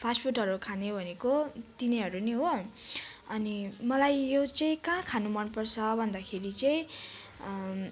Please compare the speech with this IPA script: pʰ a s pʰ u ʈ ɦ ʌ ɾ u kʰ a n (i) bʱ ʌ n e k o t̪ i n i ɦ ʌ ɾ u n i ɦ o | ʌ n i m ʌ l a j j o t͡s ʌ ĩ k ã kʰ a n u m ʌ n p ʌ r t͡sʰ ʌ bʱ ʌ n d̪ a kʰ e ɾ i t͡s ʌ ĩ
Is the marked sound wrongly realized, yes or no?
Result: yes